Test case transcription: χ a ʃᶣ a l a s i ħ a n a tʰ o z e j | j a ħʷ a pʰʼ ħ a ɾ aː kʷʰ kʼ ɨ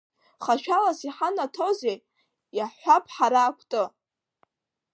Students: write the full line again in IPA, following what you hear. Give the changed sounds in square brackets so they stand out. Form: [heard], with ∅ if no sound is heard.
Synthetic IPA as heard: χ a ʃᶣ a l a s i ħ a n a tʰ o z e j | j a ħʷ a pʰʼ ħ a ɾ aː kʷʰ [tʼ] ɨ